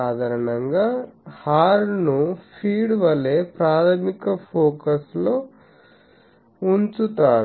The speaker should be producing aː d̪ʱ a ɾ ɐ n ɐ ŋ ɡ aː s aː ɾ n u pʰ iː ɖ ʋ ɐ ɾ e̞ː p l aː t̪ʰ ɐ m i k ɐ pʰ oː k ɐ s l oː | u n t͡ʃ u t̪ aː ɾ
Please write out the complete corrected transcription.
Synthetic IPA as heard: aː d̪ʱ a ɾ ɐ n ɐ ŋ ɡ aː h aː ɾ n u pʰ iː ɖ ʋ ɐ l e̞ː p ɾ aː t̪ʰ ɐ m i k ɐ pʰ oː k ɐ s l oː | u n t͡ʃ u t̪ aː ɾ

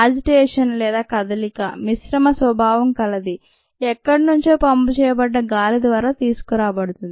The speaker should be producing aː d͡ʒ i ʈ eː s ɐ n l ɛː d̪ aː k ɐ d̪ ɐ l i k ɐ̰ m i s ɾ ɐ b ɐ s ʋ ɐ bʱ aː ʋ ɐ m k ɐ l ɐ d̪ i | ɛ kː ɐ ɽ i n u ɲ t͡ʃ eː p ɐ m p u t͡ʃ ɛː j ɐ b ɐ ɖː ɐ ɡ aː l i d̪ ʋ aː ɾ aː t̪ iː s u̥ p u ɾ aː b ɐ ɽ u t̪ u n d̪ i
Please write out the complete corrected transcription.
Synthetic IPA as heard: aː d͡ʒ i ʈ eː ʂ ɐ n l ɛː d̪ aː k ɐ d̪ ɐ l i k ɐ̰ m i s ɾ ɐ m ɐ s ʋ ɐ bʱ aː ʋ ɐ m k ɐ l ɐ d̪ i | ɛ kː ɐ ɽ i n u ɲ t͡ʃ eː p ɐ m p u t͡ʃ ɛː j ɐ b ɐ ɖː ɐ ɡ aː l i d̪ ʋ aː ɾ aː t̪ iː s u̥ k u ɾ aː b ɐ ɽ u t̪ u n d̪ i

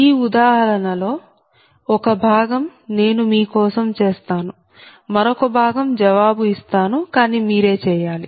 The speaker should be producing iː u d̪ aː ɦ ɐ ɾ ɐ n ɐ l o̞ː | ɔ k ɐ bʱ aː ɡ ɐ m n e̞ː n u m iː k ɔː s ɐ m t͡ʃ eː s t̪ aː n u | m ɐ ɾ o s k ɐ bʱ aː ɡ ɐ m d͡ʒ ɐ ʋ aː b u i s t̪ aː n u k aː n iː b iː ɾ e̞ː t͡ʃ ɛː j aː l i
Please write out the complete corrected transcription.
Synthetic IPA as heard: iː u d̪ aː ɦ ɐ ɾ ɐ n ɐ l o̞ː | ɔ k ɐ bʱ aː ɡ ɐ m n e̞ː n u m iː k ɔː s ɐ m t͡ʃ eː s t̪ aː n u | m ɐ ɾ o k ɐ bʱ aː ɡ ɐ m d͡ʒ ɐ ʋ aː b u i s t̪ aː n u k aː n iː m iː ɾ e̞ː t͡ʃ ɛː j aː l i

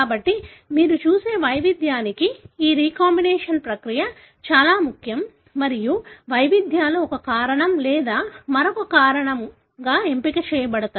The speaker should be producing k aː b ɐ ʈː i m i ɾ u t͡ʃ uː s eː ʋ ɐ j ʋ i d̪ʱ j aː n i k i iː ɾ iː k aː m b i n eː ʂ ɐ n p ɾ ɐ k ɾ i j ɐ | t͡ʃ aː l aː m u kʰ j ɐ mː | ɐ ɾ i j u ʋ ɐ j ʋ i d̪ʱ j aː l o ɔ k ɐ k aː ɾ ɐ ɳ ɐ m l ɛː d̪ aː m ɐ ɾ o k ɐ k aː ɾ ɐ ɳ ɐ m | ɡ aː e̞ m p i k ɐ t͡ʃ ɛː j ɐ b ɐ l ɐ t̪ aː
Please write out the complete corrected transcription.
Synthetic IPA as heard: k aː b ɐ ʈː i m iː ɾ u t͡ʃ uː s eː ʋ ɐ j ʋ i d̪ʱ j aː n i k i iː ɾ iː k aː m b i n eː ʂ ɐ n p ɾ ɐ k ɾ i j ɐ | t͡ʃ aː l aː m u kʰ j ɐ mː | ɐ ɾ i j u ʋ ɐ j ʋ i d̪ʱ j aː l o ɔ k ɐ k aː ɾ ɐ ɳ ɐ m l ɛː d̪ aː m ɐ ɾ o k ɐ k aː ɾ ɐ ɳ ɐ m | ɡ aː e̞ m p i k ɐ t͡ʃ ɛː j ɐ b ɐ ɽ ɐ t̪ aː

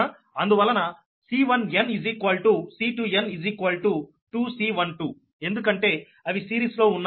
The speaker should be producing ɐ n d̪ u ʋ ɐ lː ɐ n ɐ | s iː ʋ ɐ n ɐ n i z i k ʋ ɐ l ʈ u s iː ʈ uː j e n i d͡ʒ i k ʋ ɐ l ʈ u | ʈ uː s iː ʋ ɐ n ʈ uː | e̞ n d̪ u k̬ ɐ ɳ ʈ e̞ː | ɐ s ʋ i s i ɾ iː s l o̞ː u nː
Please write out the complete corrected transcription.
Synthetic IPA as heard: ɐ n d̪ u ʋ ɐ lː ɐ n ɐ | s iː ʋ ɐ n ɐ n i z i k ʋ ɐ l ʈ u s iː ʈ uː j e n i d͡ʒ i k ʋ ɐ l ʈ u | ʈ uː s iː ʋ ɐ n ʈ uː | e̞ n d̪ u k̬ ɐ ɳ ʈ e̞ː | ɐ ʋ i s iː ɾ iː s l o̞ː u nː

